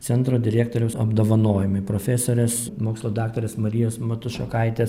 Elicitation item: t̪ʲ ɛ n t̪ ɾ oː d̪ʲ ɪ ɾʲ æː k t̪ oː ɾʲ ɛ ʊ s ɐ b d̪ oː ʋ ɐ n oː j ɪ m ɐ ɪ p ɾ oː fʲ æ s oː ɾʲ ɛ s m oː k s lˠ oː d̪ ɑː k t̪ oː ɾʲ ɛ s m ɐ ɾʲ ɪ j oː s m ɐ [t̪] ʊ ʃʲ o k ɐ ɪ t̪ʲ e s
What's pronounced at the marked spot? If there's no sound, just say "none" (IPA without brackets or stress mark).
t̪